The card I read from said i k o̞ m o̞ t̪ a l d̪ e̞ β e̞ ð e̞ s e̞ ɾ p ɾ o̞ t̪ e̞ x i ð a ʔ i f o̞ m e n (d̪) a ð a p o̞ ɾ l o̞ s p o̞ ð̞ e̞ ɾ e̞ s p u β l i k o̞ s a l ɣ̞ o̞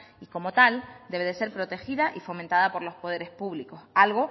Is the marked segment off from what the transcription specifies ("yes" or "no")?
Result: yes